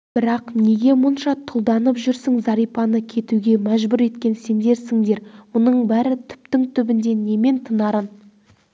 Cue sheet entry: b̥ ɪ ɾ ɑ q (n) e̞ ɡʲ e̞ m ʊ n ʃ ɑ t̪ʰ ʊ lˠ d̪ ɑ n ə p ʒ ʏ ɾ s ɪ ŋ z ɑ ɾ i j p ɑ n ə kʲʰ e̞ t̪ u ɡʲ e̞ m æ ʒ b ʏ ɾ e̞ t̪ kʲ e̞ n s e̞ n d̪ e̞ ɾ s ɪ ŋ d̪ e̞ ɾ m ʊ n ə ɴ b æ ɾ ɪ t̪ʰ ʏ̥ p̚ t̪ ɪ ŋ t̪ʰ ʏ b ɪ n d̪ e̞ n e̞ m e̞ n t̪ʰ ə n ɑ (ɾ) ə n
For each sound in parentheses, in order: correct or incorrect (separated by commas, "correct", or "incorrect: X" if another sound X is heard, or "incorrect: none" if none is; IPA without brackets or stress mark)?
correct, correct